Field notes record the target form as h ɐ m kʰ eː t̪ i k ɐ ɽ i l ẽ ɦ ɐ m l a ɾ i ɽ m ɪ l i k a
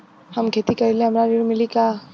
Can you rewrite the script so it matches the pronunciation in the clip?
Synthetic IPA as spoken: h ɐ m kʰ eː t̪ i k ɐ ɾ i l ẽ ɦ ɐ m ɾ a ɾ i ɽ m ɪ l i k a